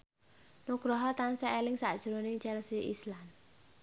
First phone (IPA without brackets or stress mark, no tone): n